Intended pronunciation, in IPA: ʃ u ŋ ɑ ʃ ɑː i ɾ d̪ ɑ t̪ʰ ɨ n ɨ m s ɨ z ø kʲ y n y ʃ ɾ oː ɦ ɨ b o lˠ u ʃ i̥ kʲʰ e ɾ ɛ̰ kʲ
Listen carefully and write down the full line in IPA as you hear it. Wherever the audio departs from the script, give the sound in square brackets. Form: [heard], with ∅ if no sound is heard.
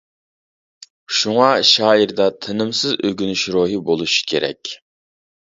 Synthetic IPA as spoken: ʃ u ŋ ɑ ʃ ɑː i ɾ d̪ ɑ t̪ʰ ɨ n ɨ m s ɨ z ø [ɡʲ] y n y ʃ ɾ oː ɦ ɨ b o lˠ u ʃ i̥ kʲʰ e ɾ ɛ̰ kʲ